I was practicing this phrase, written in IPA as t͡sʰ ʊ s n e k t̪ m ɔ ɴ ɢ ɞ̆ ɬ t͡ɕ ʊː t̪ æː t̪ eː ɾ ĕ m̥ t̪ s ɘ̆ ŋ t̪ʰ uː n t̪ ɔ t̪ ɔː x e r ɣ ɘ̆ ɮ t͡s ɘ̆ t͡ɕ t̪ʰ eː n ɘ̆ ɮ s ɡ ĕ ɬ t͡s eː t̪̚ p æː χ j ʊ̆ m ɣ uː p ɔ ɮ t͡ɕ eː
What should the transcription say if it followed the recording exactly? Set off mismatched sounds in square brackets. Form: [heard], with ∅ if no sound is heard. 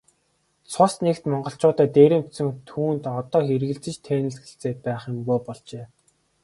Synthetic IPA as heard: t͡sʰ ʊ s n e k t̪ m ɔ ɴ ɢ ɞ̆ ɬ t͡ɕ ʊː t̪ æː t̪ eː ɾ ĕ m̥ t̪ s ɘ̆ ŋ t̪ʰ uː n t̪ ɔ t̪ ɔː x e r ɣ ɘ̆ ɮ t͡s ɘ̆ t͡ɕ t̪ʰ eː n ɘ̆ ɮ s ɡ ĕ ɬ t͡s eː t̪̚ p æː χ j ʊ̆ m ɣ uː p ɔ ɮ t͡ɕ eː